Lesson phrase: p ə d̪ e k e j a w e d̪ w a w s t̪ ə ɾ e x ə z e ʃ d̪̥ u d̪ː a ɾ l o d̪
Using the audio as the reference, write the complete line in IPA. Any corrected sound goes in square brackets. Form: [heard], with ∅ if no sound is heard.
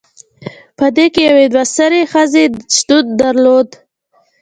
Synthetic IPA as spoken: p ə d̪ e k e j a w e d̪ w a [∅] s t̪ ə ɾ e x ə z e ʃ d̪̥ u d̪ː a ɾ l o d̪